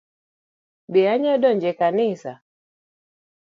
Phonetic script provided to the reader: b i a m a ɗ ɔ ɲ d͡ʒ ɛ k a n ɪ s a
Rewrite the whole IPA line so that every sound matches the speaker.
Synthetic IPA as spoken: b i a ɲ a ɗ ɔ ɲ d͡ʒ ɛ k a n i s a